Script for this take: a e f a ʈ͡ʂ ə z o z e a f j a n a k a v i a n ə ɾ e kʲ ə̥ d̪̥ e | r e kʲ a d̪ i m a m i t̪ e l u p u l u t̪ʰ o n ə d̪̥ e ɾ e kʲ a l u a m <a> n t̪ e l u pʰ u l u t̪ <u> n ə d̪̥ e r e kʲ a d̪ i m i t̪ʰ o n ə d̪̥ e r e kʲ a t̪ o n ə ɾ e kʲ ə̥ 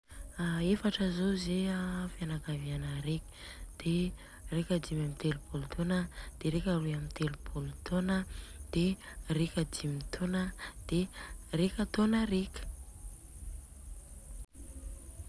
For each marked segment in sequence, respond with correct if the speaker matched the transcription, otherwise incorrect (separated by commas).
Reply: incorrect, incorrect